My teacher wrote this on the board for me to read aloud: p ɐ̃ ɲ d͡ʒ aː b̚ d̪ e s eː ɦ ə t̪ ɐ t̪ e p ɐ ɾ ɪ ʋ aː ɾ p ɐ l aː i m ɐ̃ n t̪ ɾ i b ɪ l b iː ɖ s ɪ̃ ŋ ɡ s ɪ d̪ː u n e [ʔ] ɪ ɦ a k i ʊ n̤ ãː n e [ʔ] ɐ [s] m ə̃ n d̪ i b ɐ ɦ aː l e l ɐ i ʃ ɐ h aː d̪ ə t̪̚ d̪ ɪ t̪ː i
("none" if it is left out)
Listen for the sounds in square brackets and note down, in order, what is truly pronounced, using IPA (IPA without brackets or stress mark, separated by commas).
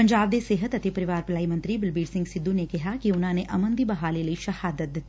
k, ʔ, none